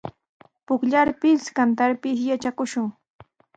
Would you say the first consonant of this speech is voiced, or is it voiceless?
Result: voiceless